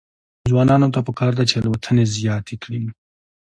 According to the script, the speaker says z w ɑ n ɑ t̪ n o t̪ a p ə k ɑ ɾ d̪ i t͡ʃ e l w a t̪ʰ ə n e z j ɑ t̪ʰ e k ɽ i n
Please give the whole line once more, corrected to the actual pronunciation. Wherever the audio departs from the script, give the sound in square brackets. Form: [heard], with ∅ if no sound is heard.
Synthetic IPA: z w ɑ n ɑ [∅] n o t̪ a p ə k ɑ ɾ d̪ [a] t͡ʃ e l w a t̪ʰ ə n e z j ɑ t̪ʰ e k ɽ i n